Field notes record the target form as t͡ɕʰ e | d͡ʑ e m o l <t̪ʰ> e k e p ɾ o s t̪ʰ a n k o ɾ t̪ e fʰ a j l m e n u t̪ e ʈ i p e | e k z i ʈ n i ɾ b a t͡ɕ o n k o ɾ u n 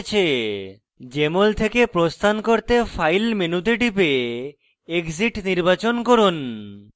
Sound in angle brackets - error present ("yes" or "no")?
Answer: no